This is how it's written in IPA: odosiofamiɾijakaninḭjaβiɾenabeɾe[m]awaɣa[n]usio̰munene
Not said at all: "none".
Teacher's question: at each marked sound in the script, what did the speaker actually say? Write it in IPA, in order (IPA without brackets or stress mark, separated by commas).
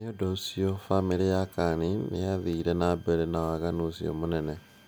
n, n